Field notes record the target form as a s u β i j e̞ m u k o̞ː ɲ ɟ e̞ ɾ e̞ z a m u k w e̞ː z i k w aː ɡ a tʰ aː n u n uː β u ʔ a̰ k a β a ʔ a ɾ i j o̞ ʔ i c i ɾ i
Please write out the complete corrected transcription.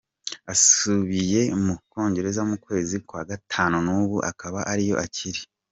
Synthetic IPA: a s u β i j e̞ m u k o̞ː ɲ ɟ e̞ ɾ e̞ z a m u k w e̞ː z i k w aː ɡ a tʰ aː n u n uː β u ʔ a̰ k a β a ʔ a ɾ i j o̞ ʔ a c i ɾ i